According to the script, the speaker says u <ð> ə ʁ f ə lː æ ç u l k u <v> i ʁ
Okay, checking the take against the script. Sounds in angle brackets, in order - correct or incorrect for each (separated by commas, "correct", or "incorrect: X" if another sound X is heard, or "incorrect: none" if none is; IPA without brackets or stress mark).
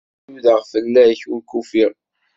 correct, incorrect: f